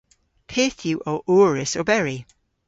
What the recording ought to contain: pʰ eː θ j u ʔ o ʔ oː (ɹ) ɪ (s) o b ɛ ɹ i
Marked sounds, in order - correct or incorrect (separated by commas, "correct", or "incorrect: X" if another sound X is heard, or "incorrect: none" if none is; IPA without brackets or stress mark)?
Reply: correct, correct